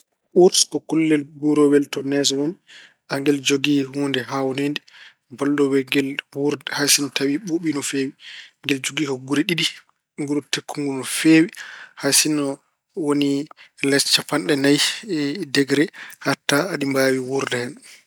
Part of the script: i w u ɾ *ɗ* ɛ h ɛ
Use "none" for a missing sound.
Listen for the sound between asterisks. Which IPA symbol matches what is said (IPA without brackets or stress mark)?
d